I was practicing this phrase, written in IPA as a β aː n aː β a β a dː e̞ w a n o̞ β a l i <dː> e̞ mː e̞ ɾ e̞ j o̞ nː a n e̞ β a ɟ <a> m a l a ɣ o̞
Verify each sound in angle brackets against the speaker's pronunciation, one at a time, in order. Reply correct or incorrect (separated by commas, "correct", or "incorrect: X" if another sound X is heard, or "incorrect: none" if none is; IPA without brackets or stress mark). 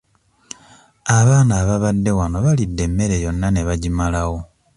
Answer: correct, incorrect: i